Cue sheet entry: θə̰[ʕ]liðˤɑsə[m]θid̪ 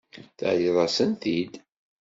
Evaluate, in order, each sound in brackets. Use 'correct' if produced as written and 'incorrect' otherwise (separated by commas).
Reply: correct, incorrect